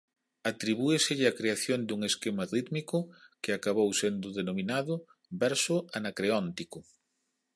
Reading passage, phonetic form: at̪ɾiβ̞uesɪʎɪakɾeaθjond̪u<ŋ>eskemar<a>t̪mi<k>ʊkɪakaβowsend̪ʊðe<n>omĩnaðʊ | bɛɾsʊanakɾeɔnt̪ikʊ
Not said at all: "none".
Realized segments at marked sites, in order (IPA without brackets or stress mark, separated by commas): ŋ, i, k, n